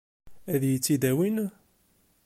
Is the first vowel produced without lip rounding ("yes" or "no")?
yes